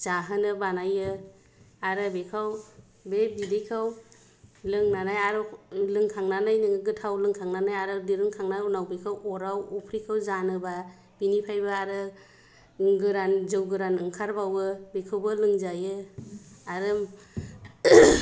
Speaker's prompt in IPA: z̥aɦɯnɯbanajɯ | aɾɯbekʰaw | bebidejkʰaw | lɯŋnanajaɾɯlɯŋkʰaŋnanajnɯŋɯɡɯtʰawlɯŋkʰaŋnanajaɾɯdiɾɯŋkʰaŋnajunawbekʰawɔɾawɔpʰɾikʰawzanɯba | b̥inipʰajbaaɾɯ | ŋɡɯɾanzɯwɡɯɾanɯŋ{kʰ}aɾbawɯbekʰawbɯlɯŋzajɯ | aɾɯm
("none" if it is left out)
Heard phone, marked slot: kʰ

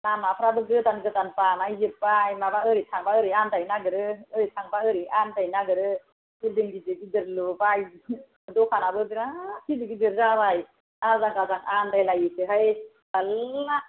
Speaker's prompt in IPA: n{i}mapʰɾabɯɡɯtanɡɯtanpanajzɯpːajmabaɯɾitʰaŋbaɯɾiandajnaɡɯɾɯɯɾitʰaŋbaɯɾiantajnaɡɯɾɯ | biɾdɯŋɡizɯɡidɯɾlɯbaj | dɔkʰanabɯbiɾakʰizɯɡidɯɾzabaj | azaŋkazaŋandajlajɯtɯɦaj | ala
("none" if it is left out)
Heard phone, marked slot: a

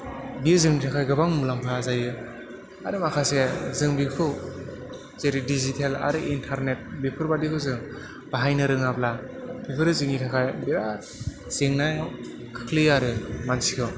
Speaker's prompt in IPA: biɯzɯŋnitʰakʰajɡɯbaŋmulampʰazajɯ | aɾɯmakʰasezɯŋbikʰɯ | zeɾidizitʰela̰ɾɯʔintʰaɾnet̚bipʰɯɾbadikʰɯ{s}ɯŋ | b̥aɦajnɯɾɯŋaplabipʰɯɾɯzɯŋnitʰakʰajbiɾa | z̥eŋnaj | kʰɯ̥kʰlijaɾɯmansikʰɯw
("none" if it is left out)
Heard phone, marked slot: z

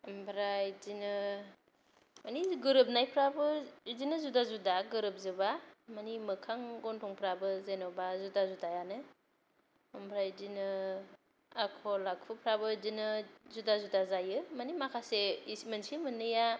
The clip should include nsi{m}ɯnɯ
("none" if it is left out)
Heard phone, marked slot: m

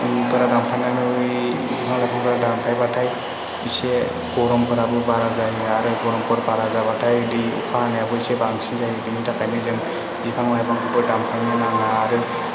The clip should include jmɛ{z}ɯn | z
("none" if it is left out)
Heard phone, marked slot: z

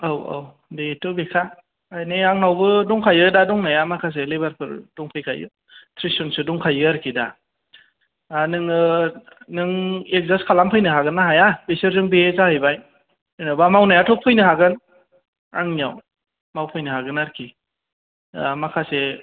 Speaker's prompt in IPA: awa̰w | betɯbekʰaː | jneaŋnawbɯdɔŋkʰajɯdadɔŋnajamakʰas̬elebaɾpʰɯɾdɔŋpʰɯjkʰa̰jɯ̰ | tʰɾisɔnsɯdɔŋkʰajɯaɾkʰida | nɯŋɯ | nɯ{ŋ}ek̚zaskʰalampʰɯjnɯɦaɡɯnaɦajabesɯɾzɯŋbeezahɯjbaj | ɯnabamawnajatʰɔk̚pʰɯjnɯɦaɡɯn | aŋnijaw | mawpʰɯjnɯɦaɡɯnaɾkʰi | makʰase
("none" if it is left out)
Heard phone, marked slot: ŋ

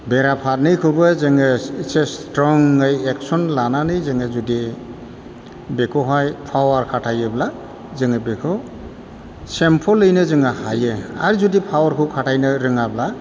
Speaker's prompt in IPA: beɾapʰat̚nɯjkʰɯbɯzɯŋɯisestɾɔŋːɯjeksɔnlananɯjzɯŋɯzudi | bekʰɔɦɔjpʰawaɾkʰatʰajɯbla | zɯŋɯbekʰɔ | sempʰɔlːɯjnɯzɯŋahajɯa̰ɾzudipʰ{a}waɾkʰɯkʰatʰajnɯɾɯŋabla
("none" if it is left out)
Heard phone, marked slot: a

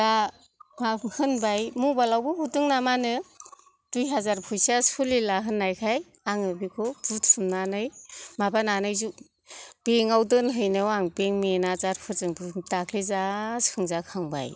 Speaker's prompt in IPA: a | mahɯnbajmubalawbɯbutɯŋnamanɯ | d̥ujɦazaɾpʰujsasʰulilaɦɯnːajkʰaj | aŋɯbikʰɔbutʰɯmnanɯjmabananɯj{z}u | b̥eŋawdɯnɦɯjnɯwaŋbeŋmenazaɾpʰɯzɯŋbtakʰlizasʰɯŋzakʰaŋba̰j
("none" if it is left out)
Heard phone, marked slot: z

